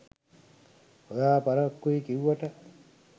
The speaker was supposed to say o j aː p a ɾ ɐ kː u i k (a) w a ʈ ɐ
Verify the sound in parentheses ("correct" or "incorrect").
incorrect